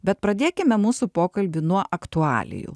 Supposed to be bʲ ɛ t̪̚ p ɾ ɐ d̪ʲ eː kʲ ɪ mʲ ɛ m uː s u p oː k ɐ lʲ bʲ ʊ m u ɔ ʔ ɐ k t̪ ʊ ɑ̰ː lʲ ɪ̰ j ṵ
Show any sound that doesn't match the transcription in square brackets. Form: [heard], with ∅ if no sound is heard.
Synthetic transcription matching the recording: bʲ ɛ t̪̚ p ɾ ɐ d̪ʲ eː kʲ ɪ mʲ ɛ m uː s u p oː k ɐ lʲ bʲ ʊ [n] u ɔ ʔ ɐ k t̪ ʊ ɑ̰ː lʲ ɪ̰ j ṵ